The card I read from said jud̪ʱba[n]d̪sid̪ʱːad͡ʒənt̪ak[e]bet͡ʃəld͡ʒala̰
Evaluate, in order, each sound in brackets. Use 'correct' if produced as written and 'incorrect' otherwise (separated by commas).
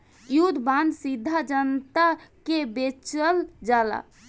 correct, correct